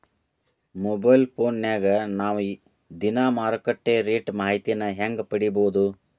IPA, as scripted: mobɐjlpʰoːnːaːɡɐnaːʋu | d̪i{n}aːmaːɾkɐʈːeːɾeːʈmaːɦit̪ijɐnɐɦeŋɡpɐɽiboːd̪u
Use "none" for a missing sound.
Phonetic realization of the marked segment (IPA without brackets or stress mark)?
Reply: n